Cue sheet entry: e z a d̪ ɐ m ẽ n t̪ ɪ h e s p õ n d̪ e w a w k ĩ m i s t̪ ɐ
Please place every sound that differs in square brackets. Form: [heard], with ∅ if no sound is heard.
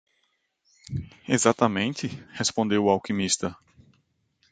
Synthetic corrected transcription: e z a [t̪] ɐ m ẽ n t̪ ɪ h e s p õ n d̪ e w a w k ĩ m i s t̪ ɐ